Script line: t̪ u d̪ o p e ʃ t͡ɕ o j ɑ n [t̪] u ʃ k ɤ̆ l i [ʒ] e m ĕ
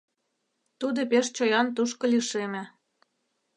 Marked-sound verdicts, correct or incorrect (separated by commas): correct, incorrect